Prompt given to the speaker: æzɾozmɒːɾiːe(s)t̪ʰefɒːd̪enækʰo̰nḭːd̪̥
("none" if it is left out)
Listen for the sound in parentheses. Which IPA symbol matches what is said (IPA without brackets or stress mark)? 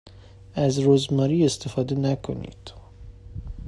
s